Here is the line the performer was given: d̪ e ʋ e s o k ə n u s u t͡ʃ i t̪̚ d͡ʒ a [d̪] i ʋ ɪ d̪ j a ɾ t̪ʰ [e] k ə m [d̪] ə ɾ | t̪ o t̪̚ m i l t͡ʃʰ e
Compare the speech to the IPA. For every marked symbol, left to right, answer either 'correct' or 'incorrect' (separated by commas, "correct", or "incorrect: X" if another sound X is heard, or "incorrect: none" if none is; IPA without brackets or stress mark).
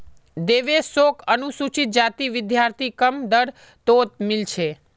incorrect: t̪, incorrect: i, correct